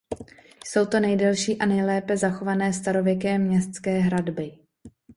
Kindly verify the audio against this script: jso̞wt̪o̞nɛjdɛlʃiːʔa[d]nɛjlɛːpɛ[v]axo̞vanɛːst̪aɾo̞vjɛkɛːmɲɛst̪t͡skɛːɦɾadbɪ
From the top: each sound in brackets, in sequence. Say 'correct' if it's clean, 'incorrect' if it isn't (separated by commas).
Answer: incorrect, incorrect